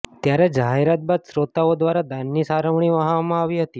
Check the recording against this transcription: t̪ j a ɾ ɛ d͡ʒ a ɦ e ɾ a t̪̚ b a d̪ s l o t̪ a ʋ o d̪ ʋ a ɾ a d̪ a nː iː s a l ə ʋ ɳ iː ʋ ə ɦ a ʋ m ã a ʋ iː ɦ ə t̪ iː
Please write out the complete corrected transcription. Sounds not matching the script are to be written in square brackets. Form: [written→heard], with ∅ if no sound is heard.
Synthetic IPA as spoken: t̪ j a ɾ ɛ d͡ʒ a ɦ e ɾ a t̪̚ b a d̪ s [l→ɾ] o t̪ a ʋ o d̪ ʋ a ɾ a d̪ a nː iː s a [l→ɾ] ə ʋ ɳ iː ʋ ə ɦ a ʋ m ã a ʋ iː ɦ ə t̪ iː

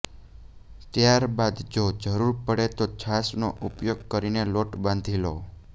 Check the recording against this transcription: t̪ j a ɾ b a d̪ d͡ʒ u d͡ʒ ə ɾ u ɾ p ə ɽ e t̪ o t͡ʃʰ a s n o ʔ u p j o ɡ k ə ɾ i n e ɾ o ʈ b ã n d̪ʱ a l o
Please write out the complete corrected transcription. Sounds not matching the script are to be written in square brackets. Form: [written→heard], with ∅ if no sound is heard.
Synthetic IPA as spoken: t̪ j a ɾ b a d̪ d͡ʒ [u→o] d͡ʒ ə ɾ u ɾ p ə ɽ e t̪ o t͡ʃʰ a s n o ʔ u p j o ɡ k ə ɾ i n e [ɾ→l] o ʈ b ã n d̪ʱ [a→i] l o

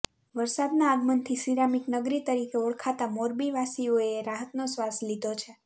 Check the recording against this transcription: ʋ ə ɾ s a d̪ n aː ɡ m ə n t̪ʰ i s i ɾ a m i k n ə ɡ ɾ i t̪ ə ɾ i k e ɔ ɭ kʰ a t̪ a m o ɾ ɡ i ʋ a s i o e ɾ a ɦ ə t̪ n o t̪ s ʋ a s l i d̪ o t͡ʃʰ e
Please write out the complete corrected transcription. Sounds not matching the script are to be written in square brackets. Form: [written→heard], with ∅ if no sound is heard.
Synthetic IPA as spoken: ʋ ə ɾ s a d̪ n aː ɡ m ə n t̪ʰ i s i ɾ a m i k n ə ɡ ɾ i t̪ ə ɾ i k e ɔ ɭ kʰ a t̪ a m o ɾ [ɡ→b] i ʋ a s i o e ɾ a ɦ ə t̪ n o [t̪→∅] s ʋ a s l i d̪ o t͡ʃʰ e

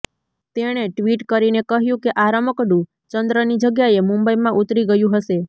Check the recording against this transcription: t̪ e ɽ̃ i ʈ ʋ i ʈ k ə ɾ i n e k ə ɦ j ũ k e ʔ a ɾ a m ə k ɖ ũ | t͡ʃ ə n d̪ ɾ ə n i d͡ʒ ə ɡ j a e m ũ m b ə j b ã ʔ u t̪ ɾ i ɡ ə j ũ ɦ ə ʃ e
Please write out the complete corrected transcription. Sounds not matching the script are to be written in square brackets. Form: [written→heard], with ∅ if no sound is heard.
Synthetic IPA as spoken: t̪ e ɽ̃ [i→e] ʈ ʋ i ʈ k ə ɾ i n e k ə ɦ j ũ k e ʔ a ɾ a m ə k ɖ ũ | t͡ʃ ə n d̪ ɾ ə n i d͡ʒ ə ɡ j a e m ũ m b ə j [b→m] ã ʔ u t̪ ɾ i ɡ ə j ũ ɦ ə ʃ e

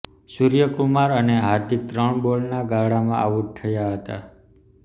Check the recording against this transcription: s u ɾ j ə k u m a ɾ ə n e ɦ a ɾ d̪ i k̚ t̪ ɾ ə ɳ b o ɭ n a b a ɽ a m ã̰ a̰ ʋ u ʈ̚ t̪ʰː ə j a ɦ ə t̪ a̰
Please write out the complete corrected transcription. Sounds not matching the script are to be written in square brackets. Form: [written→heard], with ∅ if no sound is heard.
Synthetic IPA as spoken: s u ɾ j ə k u m a ɾ ə n e ɦ a ɾ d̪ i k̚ t̪ ɾ ə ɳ b o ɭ n a [b→ɡ] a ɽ a m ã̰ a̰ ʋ u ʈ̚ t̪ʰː ə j a ɦ ə t̪ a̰

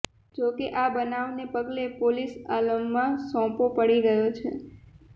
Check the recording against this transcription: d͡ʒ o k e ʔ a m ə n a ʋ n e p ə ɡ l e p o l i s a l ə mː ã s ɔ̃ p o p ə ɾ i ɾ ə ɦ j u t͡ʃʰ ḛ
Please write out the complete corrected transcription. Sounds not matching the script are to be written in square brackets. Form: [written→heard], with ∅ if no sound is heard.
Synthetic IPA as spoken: d͡ʒ o k e ʔ a [m→b] ə n a ʋ n e p ə ɡ l e p o l i s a l ə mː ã s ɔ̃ p o p ə [ɾ→ɽ] i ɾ ə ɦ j [u→o] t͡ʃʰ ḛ

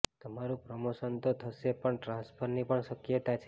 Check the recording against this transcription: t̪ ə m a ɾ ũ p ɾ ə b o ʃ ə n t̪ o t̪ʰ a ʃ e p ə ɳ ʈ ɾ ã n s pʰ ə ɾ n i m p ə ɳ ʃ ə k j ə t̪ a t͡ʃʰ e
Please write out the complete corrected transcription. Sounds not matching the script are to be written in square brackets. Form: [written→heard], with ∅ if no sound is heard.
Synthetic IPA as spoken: t̪ ə m a ɾ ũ p ɾ ə [b→m] o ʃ ə n t̪ o t̪ʰ [a→ə] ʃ e p ə ɳ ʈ ɾ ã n s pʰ ə ɾ n i [m→∅] p ə ɳ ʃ ə k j ə t̪ a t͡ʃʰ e

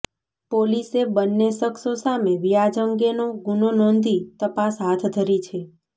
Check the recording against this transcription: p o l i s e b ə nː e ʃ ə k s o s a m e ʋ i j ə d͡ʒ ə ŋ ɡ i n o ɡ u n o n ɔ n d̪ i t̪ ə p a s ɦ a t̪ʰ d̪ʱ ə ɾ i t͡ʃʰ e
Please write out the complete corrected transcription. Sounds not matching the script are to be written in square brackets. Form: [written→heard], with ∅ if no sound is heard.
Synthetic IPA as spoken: p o l i s e b ə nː e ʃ ə k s o s a m e ʋ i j [ə→a] d͡ʒ ə ŋ ɡ [i→e] n o ɡ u n o n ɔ n d̪ i t̪ ə p a s ɦ a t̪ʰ d̪ʱ ə ɾ i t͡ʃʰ e

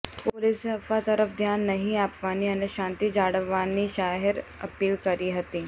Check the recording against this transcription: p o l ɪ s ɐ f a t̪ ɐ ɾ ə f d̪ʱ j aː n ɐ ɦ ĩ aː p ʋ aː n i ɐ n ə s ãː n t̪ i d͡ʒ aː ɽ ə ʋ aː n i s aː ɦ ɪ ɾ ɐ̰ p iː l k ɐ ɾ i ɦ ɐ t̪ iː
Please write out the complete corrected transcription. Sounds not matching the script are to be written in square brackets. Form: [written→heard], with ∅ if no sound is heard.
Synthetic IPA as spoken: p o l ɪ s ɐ f a t̪ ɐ ɾ ə f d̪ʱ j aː [n→nː] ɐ ɦ ĩ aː p ʋ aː n i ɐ n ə [s→ʃ] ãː n t̪ i d͡ʒ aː ɽ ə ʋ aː n i [s→ʃ] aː ɦ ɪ ɾ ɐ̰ p iː l k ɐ ɾ i ɦ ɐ t̪ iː

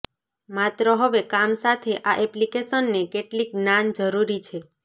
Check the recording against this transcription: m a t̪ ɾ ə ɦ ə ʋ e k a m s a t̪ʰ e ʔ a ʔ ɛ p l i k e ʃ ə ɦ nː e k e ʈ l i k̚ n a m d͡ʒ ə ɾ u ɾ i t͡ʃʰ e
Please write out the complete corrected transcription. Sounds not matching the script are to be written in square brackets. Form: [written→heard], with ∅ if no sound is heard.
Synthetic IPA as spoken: m a t̪ ɾ ə ɦ ə ʋ e k a m s a t̪ʰ e ʔ a ʔ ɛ p l i k e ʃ ə [ɦ→∅] nː e k e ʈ l i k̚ n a [m→n] d͡ʒ ə ɾ u ɾ i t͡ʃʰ e

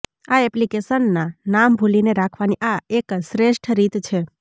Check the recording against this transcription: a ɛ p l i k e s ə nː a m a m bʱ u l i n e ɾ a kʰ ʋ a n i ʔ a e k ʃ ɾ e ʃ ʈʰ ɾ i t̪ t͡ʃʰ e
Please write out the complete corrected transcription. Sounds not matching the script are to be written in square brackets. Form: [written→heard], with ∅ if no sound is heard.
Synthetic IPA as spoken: a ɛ p l i k e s ə nː a [m→n] a m bʱ u l i n e ɾ a kʰ ʋ a n i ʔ a e k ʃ ɾ e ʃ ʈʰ ɾ i t̪ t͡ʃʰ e

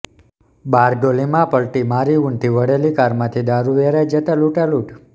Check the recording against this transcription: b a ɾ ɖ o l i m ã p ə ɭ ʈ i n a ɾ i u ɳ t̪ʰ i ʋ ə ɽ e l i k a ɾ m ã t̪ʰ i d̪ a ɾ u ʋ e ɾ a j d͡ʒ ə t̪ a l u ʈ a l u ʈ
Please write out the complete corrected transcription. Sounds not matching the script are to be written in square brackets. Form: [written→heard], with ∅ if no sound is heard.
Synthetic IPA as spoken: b a ɾ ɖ o l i m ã p ə ɭ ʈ i [n→m] a ɾ i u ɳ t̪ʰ i ʋ ə ɽ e l i k a ɾ m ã t̪ʰ i d̪ a ɾ u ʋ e ɾ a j d͡ʒ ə t̪ a l u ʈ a l u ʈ

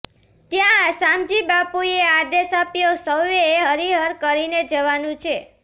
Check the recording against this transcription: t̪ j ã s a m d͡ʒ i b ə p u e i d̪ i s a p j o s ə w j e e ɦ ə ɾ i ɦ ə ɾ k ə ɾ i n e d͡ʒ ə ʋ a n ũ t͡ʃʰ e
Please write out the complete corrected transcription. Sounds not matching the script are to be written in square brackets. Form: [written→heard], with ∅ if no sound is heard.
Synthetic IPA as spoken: t̪ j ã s a m d͡ʒ i b [ə→a] p u e [i→a] d̪ [i→e] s a p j o s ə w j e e ɦ ə ɾ i ɦ ə ɾ k ə ɾ i n e d͡ʒ ə ʋ a n ũ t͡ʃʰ e

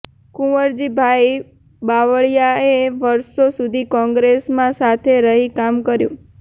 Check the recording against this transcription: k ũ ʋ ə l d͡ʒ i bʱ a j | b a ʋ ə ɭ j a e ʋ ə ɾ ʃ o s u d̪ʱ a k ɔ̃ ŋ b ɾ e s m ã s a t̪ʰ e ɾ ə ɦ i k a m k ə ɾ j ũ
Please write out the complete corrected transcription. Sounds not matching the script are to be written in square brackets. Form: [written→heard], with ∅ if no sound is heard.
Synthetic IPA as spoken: k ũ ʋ ə [l→ɾ] d͡ʒ i bʱ a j | b a ʋ ə ɭ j a e ʋ ə ɾ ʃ o s u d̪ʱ [a→i] k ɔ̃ ŋ [b→ɡ] ɾ e s m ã s a t̪ʰ e ɾ ə ɦ i k a m k ə ɾ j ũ

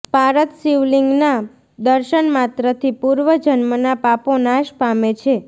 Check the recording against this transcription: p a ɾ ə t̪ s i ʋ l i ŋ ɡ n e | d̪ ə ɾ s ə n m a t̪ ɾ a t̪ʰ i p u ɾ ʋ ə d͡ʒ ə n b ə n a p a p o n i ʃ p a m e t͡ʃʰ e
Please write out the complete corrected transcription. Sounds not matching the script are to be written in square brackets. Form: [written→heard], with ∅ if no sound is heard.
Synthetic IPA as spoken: p a ɾ ə t̪ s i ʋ l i ŋ ɡ n [e→a] | d̪ ə ɾ [s→ʃ] ə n m a t̪ ɾ [a→ə] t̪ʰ i p u ɾ ʋ ə d͡ʒ ə n [b→m] ə n a p a p o n [i→a] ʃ p a m e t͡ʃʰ e

